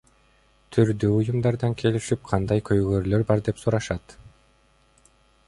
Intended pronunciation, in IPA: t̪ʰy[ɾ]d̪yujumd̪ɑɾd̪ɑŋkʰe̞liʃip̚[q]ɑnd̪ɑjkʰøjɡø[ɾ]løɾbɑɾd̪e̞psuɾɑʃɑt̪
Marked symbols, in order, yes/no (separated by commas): yes, no, yes